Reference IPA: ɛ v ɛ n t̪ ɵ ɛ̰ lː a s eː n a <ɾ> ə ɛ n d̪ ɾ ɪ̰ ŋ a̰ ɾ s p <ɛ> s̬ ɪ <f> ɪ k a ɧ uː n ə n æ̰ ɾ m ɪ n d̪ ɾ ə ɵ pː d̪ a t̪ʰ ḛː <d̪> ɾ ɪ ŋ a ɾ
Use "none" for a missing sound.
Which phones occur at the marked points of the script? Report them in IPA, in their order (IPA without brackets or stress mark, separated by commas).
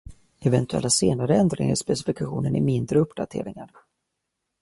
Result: ɾ, ɛ, f, none